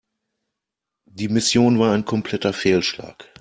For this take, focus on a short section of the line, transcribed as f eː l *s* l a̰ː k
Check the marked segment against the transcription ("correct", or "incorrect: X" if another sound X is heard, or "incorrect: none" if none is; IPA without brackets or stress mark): incorrect: ʃ